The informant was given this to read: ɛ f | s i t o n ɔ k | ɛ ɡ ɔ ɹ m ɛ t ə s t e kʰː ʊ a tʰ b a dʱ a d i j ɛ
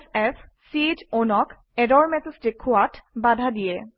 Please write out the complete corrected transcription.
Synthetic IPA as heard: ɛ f | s i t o n ɔ k | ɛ d ɔ ɹ m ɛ t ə s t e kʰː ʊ a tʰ b a dʱ a d i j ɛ